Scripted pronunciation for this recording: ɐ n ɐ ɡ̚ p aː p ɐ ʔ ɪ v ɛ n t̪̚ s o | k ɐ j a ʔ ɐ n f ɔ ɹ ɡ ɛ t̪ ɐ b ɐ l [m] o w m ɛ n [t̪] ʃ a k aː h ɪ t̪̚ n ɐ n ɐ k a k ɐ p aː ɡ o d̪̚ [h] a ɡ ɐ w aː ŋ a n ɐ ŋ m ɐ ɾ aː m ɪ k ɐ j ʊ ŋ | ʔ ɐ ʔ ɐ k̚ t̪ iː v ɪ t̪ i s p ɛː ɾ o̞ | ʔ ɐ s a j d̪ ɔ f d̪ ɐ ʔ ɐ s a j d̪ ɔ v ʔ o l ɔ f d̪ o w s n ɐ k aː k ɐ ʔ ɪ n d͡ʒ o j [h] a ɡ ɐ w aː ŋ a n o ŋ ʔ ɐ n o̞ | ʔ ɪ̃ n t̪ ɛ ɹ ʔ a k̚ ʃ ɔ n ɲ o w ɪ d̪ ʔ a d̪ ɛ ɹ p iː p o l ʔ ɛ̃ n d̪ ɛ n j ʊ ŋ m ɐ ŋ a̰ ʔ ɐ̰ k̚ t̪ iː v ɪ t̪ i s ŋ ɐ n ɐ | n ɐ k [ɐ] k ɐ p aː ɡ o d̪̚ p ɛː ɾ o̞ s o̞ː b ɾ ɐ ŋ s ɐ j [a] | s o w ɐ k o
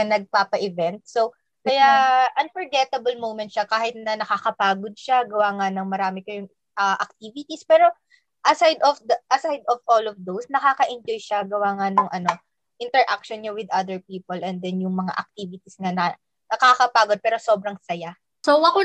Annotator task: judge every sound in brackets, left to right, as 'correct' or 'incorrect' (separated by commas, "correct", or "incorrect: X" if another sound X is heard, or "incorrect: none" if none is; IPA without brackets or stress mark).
correct, correct, incorrect: ʃ, incorrect: ʃ, incorrect: a, correct